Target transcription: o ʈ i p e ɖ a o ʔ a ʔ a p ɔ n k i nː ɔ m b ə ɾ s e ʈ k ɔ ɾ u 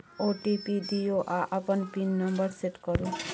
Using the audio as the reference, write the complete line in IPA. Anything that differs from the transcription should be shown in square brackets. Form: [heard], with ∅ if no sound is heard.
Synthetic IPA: o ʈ i p [i] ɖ [i] o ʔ a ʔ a p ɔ n [p] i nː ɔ m b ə ɾ s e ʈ k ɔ ɾ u